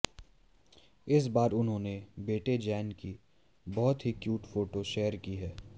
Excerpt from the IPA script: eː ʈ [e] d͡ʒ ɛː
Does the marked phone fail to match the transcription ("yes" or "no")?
no